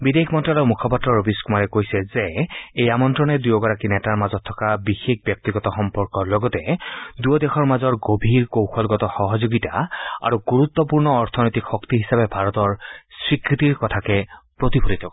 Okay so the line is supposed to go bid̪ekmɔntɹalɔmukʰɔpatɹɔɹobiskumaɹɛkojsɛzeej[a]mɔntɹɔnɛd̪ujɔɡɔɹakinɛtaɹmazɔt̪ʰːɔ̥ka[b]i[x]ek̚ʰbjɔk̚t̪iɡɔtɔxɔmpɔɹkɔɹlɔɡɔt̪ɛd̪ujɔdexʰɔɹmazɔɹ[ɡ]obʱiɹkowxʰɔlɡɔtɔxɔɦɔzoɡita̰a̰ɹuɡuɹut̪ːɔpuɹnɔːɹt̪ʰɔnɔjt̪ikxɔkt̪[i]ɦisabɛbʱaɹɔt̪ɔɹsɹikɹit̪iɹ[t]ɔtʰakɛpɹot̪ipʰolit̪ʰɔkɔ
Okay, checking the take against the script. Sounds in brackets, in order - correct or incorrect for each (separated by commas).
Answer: correct, correct, correct, correct, correct, incorrect